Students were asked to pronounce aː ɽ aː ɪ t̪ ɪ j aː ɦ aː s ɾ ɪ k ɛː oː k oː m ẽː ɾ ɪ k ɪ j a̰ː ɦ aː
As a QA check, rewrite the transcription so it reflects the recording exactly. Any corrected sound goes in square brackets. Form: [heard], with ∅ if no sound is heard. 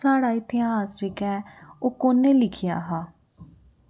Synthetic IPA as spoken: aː ɽ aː ɪ t̪ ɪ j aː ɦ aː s ɾ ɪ k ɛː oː k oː [n] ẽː [l] ɪ [kʰ] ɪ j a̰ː ɦ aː